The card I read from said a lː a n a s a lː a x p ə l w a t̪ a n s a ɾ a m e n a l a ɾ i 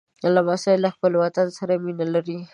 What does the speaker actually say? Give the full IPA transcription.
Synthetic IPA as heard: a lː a m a s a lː a x p ə l w a t̪ a n s a ɾ a m i n a l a ɾ i